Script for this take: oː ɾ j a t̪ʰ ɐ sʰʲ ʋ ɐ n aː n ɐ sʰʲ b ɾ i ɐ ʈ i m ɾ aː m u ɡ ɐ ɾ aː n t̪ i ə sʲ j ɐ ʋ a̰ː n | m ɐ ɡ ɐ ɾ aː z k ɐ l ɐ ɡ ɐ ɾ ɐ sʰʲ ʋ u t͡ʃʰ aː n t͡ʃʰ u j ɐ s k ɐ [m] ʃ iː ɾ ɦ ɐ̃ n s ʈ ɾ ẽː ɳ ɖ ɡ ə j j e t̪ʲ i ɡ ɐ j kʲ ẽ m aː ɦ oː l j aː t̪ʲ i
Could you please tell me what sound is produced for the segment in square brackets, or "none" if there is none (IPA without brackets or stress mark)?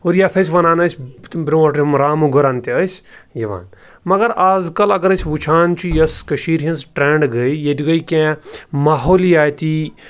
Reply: none